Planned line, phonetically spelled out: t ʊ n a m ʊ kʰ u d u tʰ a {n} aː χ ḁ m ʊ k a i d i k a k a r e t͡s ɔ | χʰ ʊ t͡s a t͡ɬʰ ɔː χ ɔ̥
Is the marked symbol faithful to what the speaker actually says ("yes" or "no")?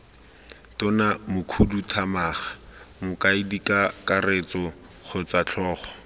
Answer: no